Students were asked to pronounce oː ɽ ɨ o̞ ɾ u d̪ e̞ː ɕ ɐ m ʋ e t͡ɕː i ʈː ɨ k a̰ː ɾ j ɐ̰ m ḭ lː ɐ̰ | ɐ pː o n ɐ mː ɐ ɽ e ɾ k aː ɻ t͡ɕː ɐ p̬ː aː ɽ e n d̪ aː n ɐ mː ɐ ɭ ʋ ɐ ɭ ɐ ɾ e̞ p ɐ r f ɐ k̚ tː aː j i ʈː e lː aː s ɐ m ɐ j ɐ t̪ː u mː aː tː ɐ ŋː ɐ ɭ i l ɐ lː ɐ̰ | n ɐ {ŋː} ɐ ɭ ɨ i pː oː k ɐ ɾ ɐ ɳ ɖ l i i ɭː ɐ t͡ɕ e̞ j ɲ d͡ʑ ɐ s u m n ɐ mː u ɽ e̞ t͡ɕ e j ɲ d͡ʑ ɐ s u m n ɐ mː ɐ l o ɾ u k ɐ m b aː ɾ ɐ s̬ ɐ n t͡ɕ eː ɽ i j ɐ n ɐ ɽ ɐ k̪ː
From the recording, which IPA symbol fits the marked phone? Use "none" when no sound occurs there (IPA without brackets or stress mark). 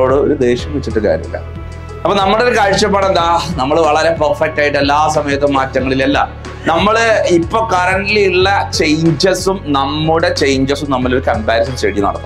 mː